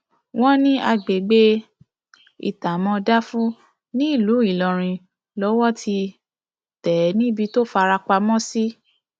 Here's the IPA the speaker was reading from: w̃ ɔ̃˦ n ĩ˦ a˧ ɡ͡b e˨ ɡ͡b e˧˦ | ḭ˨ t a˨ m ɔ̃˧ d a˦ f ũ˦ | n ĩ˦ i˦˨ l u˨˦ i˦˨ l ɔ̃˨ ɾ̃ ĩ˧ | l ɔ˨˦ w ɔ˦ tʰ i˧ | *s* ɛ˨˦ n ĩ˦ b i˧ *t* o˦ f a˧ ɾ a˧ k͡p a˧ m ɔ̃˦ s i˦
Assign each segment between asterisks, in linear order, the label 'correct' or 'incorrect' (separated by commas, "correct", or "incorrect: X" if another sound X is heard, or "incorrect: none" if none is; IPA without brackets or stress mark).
incorrect: t, correct